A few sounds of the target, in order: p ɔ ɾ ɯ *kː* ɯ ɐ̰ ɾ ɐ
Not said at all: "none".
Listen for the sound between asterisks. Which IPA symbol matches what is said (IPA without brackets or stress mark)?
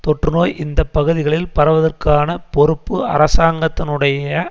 pː